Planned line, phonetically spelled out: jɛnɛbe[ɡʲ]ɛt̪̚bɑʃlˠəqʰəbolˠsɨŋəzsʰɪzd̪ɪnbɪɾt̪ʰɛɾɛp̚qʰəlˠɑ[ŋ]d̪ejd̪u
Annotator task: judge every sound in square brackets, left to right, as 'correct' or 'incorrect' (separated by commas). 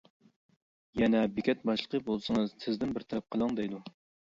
incorrect, correct